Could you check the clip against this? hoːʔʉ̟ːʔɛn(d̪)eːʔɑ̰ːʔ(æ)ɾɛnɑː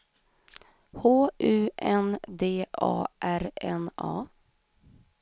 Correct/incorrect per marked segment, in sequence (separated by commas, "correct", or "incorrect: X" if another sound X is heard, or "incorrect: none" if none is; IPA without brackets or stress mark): correct, correct